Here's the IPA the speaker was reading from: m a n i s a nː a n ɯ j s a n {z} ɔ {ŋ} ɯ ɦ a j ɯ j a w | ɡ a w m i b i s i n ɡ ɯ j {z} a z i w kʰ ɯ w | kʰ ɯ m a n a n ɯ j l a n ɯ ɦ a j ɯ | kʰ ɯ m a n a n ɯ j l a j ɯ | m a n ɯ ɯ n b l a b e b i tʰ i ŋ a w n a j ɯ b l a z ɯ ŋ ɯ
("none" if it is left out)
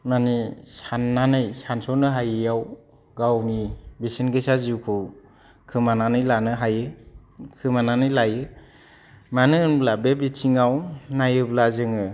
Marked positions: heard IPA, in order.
s, n, s

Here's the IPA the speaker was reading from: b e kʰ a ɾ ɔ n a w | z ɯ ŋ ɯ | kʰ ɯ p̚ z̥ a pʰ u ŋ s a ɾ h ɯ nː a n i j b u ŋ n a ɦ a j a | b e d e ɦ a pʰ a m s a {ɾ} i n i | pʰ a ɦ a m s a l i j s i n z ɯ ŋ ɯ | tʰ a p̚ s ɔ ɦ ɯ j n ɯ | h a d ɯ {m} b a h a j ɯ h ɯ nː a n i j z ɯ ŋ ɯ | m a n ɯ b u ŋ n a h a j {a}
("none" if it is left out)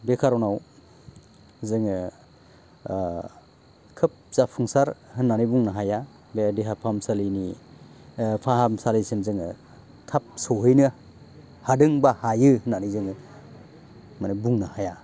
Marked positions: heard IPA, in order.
l, ŋ, a

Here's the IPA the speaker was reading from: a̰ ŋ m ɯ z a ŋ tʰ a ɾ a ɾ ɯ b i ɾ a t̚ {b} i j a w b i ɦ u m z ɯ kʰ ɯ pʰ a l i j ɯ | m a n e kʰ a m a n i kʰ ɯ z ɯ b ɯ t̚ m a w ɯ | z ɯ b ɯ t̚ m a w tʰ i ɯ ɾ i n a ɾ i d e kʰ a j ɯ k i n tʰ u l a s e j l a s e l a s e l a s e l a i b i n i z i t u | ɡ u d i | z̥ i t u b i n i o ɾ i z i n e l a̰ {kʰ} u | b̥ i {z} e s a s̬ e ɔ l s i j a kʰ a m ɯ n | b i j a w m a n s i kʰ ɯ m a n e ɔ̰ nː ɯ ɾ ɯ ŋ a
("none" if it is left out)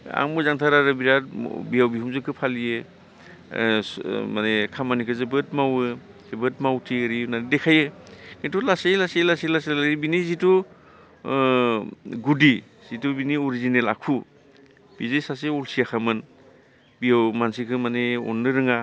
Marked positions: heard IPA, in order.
b, kʰ, z

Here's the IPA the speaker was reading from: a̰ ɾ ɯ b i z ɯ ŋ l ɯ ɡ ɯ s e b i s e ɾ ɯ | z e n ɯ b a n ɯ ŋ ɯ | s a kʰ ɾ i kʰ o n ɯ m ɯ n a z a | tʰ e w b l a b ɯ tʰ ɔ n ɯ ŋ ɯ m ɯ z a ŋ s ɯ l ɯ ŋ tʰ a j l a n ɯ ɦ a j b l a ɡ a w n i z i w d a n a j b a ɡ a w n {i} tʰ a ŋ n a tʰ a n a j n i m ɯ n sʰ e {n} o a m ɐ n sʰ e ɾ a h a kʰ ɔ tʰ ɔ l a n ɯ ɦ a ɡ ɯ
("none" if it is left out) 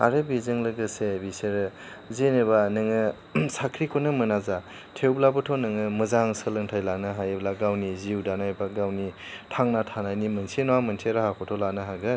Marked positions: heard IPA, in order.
i, n

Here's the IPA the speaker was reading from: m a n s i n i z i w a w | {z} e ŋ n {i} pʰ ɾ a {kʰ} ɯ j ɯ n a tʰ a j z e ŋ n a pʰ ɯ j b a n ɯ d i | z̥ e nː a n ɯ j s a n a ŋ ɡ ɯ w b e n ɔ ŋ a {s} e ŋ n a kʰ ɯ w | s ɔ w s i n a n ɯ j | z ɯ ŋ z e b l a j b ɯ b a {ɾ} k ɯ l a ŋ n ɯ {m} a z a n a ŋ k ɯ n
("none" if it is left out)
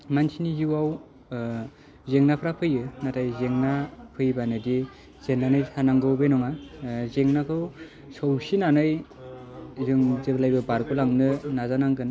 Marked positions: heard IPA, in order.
z, a, pʰ, z, ɾ, n

